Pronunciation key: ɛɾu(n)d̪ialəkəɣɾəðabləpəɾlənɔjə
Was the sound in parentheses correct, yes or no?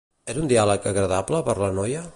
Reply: yes